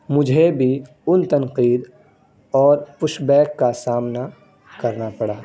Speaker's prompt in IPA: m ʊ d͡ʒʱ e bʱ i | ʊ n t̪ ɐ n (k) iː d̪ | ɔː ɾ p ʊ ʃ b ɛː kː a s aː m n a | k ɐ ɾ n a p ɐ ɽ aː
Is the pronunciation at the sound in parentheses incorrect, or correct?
incorrect